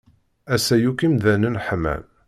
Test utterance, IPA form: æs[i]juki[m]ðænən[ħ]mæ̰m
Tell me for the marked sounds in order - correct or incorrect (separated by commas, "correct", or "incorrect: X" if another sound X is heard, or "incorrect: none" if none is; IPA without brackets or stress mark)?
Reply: incorrect: æ, correct, correct